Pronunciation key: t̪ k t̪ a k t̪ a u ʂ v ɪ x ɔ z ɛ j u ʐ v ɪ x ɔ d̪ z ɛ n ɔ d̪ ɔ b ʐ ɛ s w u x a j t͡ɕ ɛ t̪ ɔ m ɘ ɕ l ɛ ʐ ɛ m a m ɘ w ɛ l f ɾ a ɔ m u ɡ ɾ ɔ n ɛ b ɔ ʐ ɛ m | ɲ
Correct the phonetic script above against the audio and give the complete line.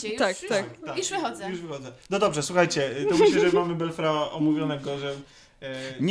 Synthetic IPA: t̪ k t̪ a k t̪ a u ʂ v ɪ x ɔ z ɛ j u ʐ v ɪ x ɔ d̪ z ɛ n ɔ d̪ ɔ b ʐ ɛ s w u x a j t͡ɕ ɛ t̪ ɔ m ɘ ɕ l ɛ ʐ ɛ m a m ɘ b ɛ l f ɾ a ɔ m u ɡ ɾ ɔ n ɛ ɡ ɔ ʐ ɛ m | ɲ